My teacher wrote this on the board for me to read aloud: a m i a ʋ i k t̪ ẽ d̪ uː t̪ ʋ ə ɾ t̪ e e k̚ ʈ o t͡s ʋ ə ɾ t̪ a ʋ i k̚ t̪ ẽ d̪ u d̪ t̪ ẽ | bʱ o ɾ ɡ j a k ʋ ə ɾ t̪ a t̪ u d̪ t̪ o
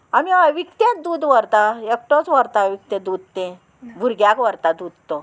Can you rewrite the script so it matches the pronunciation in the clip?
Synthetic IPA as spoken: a m i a ʋ i k t̪ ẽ d̪ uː d̪ ʋ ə ɾ t̪ a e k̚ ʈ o t͡s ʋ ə ɾ t̪ a ʋ i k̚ t̪ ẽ d̪ u d̪ t̪ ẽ | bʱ u ɾ ɡ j a k ʋ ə ɾ t̪ a d̪ u d̪ t̪ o